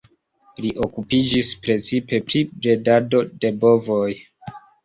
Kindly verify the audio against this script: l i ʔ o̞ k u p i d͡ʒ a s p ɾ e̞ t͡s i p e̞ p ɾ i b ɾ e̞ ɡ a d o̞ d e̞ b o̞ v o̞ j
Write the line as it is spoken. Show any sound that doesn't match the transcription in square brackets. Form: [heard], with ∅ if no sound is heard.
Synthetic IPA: l i ʔ o̞ k u p i d͡ʒ [i] s p ɾ e̞ t͡s i p e̞ p ɾ i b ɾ e̞ [d] a d o̞ d e̞ b o̞ v o̞ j